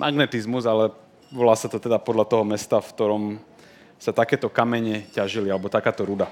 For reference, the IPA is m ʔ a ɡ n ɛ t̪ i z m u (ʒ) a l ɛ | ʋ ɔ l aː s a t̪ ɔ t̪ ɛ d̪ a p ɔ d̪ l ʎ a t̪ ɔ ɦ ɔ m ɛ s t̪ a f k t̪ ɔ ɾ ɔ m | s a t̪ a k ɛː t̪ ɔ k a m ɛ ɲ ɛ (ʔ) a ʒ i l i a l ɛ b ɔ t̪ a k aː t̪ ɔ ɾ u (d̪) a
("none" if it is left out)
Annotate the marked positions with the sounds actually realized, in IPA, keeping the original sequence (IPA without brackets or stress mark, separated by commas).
z, c, d̪